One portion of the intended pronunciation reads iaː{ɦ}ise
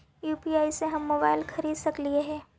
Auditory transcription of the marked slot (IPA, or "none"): none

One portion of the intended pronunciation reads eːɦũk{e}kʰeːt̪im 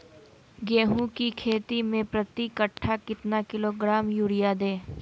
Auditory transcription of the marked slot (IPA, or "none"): i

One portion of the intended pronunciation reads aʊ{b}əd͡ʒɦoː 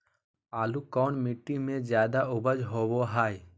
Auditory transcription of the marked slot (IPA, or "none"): b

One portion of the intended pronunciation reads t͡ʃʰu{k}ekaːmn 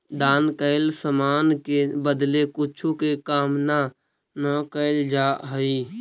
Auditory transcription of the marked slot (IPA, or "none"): k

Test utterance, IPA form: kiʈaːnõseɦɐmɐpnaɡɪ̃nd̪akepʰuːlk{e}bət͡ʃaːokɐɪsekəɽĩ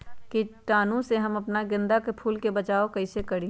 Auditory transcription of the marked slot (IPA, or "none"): e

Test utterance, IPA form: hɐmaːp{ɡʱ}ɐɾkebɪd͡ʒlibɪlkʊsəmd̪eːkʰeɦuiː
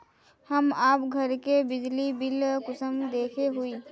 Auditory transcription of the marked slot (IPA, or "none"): ɡʱ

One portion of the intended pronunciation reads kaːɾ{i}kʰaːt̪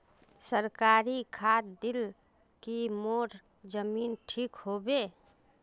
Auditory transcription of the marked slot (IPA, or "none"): i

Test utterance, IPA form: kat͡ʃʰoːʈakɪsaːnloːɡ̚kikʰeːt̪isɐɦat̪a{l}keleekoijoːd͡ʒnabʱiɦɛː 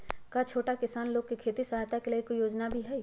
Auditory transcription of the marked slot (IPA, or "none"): none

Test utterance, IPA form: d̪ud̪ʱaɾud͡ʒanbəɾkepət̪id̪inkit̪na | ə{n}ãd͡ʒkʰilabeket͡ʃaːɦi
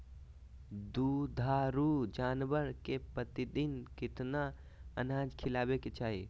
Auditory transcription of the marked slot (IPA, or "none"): n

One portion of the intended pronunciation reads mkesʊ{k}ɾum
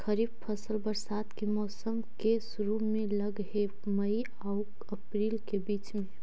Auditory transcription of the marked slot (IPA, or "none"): none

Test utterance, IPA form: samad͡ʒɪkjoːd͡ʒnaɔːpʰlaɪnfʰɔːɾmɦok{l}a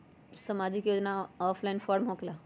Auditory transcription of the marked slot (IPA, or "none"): l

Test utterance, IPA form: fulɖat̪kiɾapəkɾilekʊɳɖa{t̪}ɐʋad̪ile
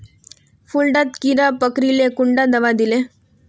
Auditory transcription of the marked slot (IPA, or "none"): d̪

